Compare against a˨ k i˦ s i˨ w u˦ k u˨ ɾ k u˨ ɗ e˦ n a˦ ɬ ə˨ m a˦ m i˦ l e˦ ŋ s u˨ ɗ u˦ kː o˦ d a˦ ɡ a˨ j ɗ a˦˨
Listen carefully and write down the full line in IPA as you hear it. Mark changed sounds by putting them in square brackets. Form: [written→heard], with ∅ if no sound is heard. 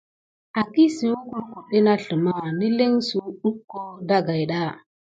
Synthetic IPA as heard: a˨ k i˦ s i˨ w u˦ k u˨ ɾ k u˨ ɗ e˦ n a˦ ɬ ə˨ m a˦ [m→n] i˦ l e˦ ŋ s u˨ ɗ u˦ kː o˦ d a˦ ɡ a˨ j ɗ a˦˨